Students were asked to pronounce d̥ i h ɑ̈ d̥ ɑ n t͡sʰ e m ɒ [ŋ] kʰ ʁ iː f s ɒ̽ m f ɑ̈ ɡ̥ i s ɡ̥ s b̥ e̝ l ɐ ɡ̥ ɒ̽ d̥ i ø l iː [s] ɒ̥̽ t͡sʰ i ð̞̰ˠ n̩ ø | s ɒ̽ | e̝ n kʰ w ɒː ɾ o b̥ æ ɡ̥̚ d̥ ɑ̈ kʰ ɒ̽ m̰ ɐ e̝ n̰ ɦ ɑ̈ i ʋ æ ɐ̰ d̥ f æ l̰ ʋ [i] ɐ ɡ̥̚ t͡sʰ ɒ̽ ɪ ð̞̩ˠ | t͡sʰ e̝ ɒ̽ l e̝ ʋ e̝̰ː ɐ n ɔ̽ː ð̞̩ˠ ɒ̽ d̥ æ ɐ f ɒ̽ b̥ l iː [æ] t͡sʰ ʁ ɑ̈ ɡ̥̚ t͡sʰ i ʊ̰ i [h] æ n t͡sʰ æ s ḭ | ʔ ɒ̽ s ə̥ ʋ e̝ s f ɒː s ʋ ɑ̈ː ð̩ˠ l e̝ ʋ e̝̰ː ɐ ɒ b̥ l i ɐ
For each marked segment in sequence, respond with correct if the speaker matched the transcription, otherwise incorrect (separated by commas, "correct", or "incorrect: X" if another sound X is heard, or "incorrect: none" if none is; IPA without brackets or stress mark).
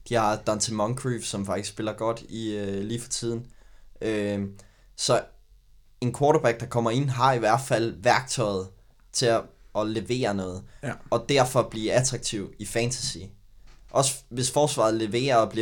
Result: correct, incorrect: f, incorrect: æ, correct, incorrect: f